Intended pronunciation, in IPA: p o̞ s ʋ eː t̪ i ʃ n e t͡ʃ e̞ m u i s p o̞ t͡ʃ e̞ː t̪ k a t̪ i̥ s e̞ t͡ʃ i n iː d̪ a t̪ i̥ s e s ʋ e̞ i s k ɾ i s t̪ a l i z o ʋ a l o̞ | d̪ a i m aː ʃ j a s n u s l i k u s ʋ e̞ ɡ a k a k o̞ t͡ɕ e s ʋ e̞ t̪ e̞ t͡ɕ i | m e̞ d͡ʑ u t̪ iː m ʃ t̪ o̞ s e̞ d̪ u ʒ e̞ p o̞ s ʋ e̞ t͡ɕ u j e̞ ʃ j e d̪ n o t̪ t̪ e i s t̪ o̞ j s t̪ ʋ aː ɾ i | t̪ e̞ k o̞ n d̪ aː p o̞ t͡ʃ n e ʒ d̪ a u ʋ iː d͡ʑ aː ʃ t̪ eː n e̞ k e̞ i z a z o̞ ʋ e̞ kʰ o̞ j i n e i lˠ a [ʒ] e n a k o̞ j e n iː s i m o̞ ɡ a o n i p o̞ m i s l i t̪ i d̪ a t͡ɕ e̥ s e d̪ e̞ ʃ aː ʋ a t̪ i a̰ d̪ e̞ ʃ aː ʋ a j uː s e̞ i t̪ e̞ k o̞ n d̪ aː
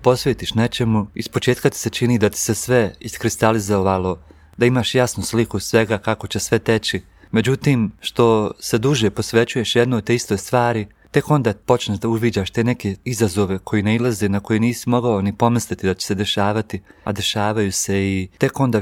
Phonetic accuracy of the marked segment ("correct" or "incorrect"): incorrect